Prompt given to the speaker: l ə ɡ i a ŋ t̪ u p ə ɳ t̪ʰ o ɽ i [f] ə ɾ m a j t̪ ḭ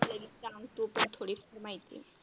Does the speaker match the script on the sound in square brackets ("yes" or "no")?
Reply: yes